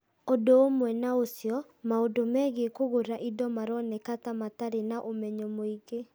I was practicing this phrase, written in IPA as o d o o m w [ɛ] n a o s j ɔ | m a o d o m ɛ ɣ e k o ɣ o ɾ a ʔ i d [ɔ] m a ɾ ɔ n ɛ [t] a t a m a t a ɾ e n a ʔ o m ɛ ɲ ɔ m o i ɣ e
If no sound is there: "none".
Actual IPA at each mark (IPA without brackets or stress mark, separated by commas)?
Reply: ɛ, ɔ, k